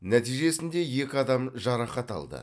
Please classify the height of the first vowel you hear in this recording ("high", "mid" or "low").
low